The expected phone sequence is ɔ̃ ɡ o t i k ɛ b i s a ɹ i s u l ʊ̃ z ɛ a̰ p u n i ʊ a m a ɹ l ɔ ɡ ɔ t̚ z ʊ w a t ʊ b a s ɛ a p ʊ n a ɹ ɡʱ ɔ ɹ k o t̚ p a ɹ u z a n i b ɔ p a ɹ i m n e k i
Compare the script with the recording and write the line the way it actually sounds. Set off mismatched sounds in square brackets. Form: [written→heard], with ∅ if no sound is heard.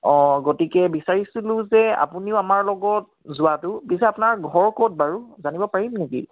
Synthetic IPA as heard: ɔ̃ ɡ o t i k ɛ b i s a ɹ i s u l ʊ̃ z ɛ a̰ p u n i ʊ a m a ɹ l ɔ ɡ ɔ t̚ z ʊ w a t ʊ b [a→i] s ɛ a p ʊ n a ɹ ɡʱ ɔ ɹ k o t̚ [p→b] a ɹ u z a n i b ɔ p a ɹ i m n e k i